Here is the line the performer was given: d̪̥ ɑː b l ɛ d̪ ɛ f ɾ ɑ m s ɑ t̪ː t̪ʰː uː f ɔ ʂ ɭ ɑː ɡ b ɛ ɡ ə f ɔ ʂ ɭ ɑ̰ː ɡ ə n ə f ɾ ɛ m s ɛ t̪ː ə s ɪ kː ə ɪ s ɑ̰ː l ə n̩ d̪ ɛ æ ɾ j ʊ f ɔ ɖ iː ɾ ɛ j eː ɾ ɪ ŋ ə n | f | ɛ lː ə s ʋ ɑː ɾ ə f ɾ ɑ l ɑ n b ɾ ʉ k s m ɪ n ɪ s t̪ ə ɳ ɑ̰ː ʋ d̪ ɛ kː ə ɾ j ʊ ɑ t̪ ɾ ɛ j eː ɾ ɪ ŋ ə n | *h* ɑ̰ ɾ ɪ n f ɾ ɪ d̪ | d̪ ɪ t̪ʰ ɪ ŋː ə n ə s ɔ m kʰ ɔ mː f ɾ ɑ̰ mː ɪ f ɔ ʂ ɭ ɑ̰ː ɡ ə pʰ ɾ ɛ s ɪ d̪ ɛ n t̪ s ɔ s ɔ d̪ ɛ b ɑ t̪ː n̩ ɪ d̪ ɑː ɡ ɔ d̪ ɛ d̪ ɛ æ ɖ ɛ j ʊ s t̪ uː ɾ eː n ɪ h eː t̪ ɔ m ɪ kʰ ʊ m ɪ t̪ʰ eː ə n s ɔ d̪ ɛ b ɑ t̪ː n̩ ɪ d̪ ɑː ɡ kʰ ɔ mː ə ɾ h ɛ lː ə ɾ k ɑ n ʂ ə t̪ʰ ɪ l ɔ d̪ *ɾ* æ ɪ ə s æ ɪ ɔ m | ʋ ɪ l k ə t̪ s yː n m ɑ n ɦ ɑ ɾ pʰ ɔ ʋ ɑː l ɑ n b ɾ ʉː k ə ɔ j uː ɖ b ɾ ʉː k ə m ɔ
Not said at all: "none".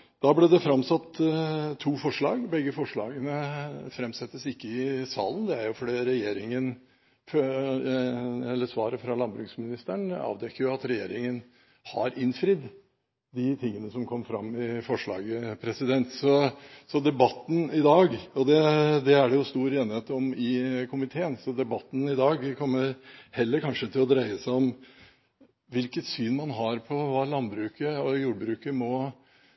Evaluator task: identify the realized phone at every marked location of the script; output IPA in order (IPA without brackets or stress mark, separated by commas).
h, ɾ